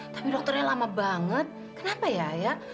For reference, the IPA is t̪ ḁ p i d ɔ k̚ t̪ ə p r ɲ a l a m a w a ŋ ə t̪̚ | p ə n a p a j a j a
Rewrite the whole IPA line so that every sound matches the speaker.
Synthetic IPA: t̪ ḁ p i d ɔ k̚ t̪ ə r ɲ a l a m a b a ŋ ə t̪̚ | k ə n a p a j a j a